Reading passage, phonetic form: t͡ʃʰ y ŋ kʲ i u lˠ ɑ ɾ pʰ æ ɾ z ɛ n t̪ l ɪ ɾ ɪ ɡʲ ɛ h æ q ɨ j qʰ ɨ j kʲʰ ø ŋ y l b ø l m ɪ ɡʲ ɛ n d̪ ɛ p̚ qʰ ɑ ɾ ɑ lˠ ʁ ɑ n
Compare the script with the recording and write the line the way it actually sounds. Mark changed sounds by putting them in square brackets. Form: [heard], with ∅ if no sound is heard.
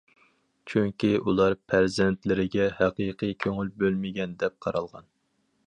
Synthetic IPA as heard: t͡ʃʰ y ŋ kʲ i u lˠ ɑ ɾ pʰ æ ɾ z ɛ n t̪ l ɪ ɾ ɪ ɡʲ ɛ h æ q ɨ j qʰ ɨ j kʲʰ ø ŋ y l b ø l m ɪ ɡʲ ɛ n d̪ ɛ p̚ qʰ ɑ ɾ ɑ lˠ ʁ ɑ n